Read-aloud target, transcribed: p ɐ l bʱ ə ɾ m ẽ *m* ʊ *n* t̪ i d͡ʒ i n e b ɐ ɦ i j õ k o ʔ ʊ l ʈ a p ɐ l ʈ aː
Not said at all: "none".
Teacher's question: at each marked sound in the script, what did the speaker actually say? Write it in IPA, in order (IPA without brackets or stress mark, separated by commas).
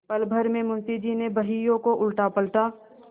m, n